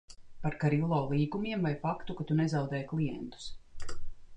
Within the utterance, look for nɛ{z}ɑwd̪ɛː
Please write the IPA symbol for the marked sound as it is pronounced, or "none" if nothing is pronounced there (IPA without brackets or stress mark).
z